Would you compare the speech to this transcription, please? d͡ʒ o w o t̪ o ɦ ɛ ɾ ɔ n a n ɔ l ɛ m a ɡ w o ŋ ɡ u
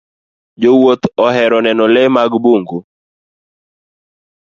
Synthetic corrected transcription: d͡ʒ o w o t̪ ɔ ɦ ɛ ɾ ɔ n ɛ n ɔ l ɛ m a ɡ b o ŋ ɡ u